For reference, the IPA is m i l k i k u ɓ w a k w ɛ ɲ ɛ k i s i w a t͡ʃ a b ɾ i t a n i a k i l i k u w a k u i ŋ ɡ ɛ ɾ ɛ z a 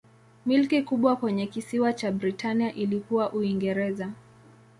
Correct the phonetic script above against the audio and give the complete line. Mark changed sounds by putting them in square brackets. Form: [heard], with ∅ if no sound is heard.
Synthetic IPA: m i l k i k u ɓ w a k w ɛ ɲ ɛ k i s i w a t͡ʃ a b ɾ i t a n i a [ʔ] i l i k u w a [ʔ] u i ŋ ɡ ɛ ɾ ɛ z a